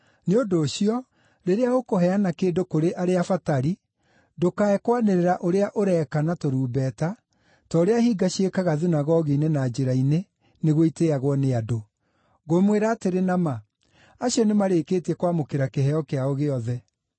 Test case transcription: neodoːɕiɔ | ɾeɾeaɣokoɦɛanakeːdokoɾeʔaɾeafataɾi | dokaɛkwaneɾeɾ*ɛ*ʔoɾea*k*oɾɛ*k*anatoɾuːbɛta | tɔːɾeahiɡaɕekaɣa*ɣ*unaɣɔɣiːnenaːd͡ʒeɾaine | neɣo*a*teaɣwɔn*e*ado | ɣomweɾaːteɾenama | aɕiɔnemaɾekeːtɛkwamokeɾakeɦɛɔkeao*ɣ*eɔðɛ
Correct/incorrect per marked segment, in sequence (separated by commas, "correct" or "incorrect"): incorrect, incorrect, correct, incorrect, incorrect, correct, correct